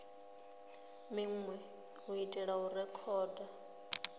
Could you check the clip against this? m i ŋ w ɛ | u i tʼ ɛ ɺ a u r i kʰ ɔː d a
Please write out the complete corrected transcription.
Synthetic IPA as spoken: m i ŋ w ɛ | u i tʼ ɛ ɺ a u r ɛ kʰ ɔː d a